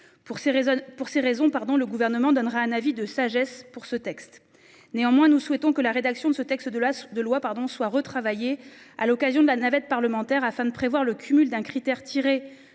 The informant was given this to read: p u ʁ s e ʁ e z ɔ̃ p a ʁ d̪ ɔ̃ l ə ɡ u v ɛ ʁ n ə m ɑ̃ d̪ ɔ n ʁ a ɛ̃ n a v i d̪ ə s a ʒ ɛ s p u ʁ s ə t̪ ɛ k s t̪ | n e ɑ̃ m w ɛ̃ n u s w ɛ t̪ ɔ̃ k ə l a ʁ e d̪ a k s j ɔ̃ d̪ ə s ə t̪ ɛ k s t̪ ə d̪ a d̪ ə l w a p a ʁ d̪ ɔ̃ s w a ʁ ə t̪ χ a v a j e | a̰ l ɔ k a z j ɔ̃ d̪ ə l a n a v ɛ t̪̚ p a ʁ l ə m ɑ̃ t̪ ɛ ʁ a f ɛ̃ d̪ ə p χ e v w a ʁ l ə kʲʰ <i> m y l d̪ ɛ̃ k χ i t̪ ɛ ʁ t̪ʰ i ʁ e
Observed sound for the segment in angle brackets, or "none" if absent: y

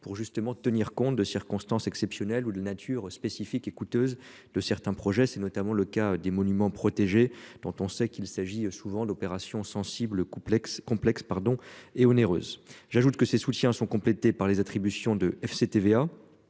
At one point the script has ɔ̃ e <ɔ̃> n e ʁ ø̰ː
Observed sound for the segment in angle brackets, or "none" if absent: ɔ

